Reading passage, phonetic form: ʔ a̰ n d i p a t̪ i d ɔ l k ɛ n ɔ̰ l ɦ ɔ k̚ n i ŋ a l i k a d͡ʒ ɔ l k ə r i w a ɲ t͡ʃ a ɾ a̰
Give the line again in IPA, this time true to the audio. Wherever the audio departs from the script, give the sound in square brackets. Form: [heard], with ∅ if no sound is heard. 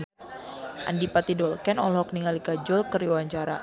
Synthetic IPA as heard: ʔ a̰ n d i p a t̪ i d ɔ l k ɛ n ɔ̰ l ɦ ɔ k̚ n i ŋ a l i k a d͡ʒ ɔ l k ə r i w a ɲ t͡ʃ a ɾ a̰